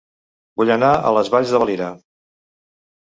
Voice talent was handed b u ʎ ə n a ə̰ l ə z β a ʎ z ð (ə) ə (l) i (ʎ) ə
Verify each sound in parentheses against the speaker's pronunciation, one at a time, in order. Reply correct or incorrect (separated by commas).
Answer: correct, correct, incorrect